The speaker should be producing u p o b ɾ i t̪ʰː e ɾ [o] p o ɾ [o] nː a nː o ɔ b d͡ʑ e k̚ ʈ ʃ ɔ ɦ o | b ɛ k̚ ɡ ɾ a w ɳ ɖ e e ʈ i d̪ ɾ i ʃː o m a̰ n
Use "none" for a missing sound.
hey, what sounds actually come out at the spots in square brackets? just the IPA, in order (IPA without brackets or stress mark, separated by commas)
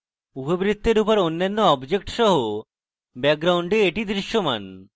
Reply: u, o